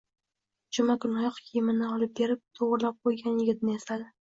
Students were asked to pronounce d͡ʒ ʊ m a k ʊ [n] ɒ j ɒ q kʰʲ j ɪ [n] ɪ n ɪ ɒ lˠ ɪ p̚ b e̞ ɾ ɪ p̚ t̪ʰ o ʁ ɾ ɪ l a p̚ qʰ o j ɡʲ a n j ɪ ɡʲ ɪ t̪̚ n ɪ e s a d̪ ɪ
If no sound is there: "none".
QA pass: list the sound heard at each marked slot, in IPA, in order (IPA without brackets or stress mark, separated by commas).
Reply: n, m